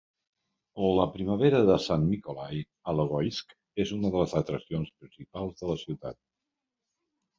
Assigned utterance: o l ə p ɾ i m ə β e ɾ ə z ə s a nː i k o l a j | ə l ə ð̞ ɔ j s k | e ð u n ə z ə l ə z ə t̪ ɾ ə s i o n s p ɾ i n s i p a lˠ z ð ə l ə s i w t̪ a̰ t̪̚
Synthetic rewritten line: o l ə p ɾ i m ə β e ɾ ə ð ə s a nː i k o l a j | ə l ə ɣ̞ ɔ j s k | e z u n ə ð ə l ə z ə t̪ ɾ ə s i o n s p ɾ i n s i p a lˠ z ð ə l ə s i w t̪ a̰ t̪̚